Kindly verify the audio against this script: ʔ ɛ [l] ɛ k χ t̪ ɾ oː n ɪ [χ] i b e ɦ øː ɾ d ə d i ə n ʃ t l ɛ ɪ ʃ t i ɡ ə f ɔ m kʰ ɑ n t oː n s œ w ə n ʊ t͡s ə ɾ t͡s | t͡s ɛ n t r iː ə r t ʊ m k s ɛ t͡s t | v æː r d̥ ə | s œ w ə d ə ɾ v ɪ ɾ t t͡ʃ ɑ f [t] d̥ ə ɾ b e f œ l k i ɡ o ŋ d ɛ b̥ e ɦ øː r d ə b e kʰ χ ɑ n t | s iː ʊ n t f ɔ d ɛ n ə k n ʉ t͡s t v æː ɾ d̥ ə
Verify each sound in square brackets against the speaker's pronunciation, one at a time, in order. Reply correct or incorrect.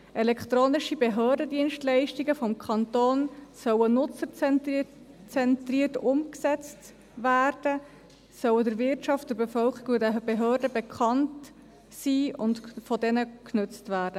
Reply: correct, incorrect, correct

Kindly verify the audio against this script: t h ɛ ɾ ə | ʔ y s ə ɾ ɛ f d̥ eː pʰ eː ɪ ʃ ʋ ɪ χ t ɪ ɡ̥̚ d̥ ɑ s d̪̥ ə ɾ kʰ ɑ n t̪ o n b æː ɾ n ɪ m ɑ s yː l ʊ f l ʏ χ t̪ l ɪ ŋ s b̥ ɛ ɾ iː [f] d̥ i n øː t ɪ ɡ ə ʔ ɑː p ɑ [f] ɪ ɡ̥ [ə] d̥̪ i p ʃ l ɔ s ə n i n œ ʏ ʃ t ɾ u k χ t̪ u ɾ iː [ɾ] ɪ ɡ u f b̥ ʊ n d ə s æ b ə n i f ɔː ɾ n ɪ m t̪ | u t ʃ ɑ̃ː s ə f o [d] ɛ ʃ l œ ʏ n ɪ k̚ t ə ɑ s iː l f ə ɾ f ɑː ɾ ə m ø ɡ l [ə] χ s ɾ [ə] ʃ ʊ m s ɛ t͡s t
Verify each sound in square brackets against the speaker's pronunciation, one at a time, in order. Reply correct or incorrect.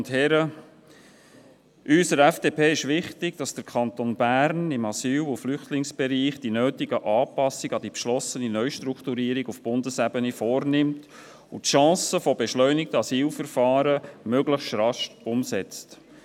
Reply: incorrect, incorrect, incorrect, correct, incorrect, correct, incorrect

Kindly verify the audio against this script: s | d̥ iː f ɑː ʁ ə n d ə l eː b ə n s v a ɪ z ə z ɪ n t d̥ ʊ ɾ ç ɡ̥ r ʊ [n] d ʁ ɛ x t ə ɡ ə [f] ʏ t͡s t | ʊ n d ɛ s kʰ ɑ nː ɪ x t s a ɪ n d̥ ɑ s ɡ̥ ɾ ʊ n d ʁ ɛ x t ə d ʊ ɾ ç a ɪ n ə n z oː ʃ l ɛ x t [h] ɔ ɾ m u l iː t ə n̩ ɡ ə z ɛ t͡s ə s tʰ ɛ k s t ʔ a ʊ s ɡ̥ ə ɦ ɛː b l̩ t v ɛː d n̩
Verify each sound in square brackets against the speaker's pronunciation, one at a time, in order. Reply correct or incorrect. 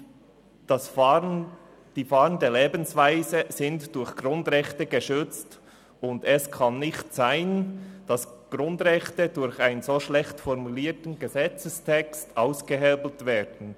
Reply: correct, incorrect, incorrect

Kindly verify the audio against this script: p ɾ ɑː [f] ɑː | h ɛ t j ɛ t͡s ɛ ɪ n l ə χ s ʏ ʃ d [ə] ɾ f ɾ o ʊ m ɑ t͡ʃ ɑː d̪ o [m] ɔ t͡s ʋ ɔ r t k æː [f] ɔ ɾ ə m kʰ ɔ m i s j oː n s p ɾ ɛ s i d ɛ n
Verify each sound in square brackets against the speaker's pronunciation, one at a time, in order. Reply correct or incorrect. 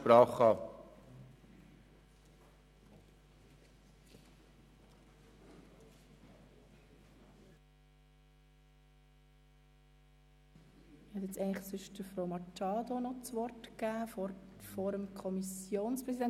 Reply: incorrect, correct, incorrect, correct

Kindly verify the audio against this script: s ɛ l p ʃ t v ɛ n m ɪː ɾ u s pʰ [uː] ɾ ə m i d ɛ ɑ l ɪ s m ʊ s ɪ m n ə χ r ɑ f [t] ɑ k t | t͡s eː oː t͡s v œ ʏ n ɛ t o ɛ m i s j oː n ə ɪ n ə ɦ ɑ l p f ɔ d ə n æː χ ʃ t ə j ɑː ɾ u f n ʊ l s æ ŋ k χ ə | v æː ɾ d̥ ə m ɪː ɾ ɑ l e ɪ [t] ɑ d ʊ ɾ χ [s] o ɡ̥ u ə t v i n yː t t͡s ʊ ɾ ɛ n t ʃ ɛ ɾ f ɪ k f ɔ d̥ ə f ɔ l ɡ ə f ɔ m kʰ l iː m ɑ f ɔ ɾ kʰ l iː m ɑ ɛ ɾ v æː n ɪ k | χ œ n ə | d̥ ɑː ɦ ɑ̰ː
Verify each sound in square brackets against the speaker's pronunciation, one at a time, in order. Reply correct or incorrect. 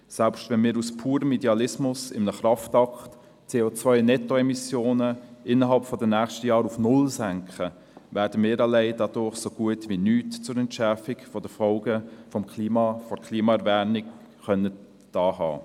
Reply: correct, correct, incorrect, correct

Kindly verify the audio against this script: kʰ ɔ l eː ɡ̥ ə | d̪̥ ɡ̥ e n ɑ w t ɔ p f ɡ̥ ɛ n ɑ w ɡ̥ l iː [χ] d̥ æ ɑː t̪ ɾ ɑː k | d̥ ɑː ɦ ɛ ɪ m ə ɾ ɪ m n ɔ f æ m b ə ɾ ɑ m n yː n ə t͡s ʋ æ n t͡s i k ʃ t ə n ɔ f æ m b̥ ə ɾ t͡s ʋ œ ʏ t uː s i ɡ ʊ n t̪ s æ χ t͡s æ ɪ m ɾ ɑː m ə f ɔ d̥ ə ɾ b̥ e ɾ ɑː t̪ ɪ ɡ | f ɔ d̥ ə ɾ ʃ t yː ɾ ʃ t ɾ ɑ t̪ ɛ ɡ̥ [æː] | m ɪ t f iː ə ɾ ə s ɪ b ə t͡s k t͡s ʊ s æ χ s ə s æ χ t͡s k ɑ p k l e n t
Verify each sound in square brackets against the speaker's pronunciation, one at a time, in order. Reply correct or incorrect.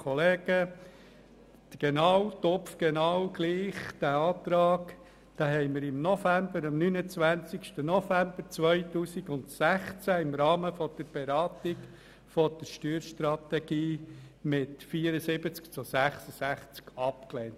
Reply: correct, incorrect

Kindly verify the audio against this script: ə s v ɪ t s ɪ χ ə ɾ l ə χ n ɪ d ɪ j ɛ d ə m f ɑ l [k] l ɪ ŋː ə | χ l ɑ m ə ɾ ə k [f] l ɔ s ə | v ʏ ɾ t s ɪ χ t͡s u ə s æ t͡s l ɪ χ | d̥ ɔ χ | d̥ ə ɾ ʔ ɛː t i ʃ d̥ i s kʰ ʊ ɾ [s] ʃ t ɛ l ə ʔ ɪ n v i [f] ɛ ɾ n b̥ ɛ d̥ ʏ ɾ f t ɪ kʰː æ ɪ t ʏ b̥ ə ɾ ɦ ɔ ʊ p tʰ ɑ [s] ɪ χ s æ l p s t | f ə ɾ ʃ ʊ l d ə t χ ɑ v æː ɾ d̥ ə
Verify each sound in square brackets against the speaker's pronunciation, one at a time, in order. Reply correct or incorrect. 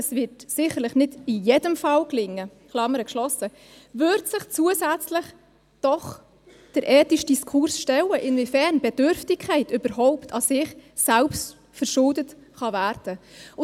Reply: correct, incorrect, correct, correct, correct

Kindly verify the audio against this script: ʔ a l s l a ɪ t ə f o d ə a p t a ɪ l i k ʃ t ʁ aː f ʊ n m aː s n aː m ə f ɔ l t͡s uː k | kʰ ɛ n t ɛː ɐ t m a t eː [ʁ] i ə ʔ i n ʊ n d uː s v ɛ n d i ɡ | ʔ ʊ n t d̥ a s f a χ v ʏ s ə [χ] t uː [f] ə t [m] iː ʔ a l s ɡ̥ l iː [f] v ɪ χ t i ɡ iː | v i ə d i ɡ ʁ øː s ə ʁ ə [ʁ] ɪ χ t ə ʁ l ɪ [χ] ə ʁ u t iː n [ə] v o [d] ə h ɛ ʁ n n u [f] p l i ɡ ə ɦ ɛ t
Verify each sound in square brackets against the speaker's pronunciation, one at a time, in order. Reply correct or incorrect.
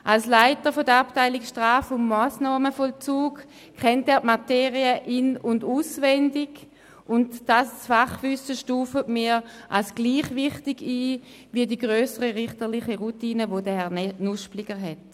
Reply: correct, incorrect, correct, correct, incorrect, correct, correct, correct, correct, incorrect

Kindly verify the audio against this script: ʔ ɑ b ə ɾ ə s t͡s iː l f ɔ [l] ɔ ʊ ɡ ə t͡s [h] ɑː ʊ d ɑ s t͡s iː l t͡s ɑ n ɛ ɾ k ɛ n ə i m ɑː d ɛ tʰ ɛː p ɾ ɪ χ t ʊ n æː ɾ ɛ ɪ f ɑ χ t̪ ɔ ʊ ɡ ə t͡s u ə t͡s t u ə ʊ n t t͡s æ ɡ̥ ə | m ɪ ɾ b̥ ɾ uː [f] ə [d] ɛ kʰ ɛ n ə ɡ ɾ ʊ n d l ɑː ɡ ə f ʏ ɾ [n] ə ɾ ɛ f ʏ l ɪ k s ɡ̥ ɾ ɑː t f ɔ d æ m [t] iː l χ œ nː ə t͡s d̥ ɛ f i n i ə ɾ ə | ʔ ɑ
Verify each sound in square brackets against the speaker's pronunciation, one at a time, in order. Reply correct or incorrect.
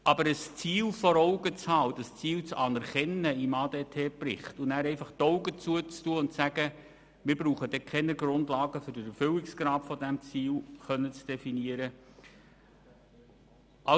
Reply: incorrect, correct, incorrect, correct, incorrect, incorrect

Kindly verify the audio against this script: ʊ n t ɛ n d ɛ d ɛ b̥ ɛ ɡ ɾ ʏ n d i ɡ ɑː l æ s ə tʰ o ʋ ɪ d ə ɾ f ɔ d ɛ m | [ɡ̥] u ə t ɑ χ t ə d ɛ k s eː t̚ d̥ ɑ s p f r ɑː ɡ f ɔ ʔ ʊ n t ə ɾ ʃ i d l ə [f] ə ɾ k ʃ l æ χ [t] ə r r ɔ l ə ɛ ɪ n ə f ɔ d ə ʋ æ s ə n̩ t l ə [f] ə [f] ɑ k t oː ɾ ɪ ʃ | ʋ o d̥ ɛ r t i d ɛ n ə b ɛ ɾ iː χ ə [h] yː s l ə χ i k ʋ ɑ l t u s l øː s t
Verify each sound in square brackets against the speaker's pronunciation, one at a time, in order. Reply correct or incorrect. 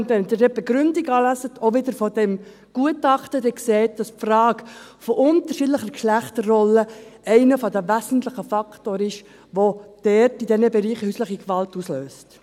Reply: correct, incorrect, correct, incorrect, correct, correct

